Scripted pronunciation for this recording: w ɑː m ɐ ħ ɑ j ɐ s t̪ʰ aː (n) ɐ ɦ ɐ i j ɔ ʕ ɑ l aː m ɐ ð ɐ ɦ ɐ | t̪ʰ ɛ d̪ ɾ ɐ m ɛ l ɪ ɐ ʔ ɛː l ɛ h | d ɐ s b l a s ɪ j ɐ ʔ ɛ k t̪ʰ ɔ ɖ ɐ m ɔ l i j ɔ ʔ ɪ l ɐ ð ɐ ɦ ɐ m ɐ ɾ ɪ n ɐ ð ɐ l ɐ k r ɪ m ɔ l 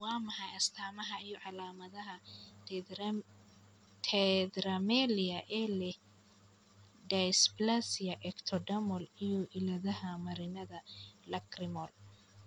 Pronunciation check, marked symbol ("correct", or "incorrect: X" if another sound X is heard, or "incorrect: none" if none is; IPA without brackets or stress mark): incorrect: m